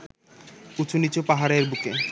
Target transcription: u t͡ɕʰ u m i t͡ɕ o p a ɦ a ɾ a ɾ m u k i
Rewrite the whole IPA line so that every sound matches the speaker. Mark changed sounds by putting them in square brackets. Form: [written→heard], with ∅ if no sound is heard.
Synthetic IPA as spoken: u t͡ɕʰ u [m→n] i t͡ɕ o p a ɦ a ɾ [a→e] ɾ [m→b] u k [i→e]